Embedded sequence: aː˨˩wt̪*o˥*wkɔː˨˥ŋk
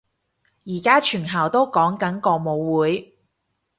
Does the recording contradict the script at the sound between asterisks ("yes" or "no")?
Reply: no